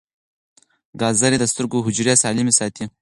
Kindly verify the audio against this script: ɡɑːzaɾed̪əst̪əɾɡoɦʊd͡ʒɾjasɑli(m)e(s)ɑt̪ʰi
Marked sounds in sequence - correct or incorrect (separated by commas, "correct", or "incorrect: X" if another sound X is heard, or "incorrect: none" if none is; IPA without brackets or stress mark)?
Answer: correct, correct